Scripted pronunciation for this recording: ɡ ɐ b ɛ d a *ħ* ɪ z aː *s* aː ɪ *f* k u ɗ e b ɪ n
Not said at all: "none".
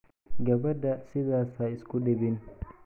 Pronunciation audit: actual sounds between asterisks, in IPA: s, s, s

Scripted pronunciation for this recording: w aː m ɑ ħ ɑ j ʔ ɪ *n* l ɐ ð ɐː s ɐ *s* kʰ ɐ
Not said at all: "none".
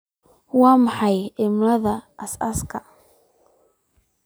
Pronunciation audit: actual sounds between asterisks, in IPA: m, s

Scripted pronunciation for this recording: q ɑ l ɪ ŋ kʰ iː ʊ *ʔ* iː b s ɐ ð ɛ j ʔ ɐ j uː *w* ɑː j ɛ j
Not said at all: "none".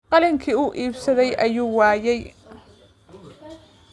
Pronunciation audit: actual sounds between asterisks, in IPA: ʔ, w

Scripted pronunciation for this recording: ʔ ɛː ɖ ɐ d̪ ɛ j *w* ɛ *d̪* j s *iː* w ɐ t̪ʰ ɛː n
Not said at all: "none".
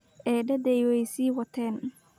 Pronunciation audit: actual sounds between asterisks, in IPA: w, none, iː

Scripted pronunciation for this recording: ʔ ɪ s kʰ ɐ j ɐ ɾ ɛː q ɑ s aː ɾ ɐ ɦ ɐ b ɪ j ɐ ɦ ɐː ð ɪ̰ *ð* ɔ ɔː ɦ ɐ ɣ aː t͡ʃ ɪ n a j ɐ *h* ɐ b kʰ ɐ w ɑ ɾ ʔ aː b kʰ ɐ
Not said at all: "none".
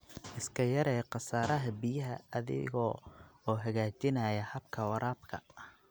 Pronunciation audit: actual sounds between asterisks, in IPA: ɣ, h

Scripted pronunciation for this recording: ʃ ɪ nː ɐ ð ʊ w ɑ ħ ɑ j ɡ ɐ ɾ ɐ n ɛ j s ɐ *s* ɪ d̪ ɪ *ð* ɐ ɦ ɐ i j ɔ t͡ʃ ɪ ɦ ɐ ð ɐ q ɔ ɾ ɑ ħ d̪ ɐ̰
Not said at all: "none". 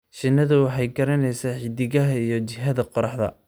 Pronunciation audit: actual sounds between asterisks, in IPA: ħ, ɣ

